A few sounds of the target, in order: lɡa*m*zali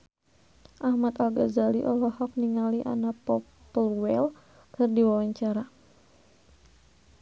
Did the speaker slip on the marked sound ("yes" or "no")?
yes